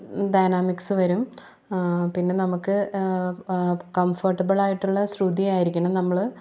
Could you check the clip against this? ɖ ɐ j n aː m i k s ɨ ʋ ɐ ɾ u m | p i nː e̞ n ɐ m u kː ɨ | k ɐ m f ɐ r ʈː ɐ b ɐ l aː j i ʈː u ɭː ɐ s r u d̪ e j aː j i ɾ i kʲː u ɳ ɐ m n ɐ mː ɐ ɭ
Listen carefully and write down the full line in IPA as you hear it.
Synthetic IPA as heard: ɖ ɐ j n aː m i k s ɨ ʋ ɐ ɾ u m | p i nː e̞ n ɐ m u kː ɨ | k ɐ m f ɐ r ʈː ɐ b ɐ ɭ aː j i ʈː u ɭː ɐ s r u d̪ i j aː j i ɾ i kʲː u ɳ ɐ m n ɐ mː ɐ ɭ

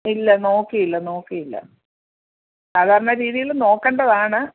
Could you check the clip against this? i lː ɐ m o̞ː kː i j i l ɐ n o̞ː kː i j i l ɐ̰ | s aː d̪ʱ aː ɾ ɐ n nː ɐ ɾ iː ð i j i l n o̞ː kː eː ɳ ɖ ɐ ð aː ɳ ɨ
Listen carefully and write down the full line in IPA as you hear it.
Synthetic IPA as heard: i lː ɐ n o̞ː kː i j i lː ɐ n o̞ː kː i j i lː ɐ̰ | s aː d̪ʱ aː ɾ ɐ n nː ɐ ɾ iː ð i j i l n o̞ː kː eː ɳ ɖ ɐ ð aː ɳ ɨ

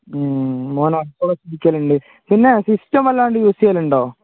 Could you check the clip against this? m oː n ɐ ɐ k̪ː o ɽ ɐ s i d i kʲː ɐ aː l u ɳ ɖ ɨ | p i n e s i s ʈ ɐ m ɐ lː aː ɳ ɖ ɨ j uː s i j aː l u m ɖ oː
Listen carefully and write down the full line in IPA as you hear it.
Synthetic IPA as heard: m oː n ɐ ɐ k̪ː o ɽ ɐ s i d i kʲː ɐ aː l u ɳ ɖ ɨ | p i nː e s i s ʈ ɐ m ɐ lː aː ɳ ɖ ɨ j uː s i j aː l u ɳ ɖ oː

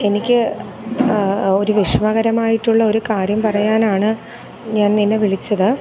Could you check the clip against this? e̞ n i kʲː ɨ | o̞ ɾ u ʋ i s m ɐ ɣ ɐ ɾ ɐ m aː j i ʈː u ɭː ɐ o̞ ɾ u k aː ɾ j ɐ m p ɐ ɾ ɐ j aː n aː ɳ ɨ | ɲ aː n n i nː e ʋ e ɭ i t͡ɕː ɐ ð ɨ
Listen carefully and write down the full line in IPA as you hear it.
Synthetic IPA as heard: e̞ n i kʲː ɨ | o̞ ɾ u ʋ i ʂ m ɐ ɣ ɐ ɾ ɐ m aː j i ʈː u ɭː ɐ o̞ ɾ u k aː ɾ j ɐ m p ɐ r ɐ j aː n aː ɳ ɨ | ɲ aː n n i nː e ʋ i ɭ i t͡ɕː ɐ ð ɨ

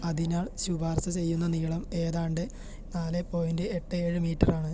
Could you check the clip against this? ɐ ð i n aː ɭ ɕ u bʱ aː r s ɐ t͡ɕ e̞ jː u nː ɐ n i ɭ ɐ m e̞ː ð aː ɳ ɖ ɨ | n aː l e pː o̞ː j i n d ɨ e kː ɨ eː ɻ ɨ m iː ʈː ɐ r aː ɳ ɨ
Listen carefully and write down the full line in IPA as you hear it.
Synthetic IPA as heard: ɐ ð i n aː ɭ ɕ u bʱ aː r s ɐ t͡ɕ e̞ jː u nː ɐ n i ɭ ɐ m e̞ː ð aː ɳ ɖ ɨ | n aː l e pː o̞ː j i n d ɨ e ʈː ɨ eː ɻ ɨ m iː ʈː ɐ r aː ɳ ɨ

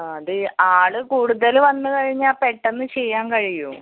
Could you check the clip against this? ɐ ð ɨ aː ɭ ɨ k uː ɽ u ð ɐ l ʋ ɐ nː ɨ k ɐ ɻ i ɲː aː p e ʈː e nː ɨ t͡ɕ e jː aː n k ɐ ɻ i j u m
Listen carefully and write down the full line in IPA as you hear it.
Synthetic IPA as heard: ɐ ð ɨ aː ɭ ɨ k uː ɽ u ð ɐ l ʋ ɐ nː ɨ k ɐ ɻ i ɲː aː p e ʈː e nː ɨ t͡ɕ e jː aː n k ɐ ɻ i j u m

